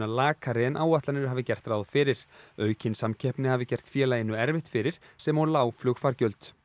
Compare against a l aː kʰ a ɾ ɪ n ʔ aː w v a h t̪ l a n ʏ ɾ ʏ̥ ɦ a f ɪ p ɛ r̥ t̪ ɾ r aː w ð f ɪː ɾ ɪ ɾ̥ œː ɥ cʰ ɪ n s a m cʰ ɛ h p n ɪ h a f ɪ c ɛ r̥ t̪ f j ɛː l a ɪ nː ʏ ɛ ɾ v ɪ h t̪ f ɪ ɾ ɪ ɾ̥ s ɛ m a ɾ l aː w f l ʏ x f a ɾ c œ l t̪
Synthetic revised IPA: a l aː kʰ a ɾ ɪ n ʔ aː w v a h t̪ l a n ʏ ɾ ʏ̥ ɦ a v ɪ c ɛ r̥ t̪ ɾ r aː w ð f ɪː ɾ ɪ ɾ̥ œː ɥ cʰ ɪ n s a m cʰ ɛ h p n ɪ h a v ɪ c ɛ r̥ t̪ f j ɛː l a ɪ nː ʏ ɛ ɾ v ɪ h t̪ f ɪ ɾ ɪ ɾ̥ s ɛ m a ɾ l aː w f l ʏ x f a ɾ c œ l t̪